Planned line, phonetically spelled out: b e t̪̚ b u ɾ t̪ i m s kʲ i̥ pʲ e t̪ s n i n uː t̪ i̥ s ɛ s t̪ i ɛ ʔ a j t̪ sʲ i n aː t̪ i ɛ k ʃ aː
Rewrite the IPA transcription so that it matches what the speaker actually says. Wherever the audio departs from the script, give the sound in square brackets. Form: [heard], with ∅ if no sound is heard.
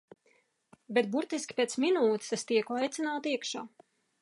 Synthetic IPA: b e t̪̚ b u ɾ t̪ i [∅] s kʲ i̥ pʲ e t̪ s [m] i n uː t̪ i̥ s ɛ s t̪ i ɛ [k] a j t̪ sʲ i n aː t̪ i ɛ k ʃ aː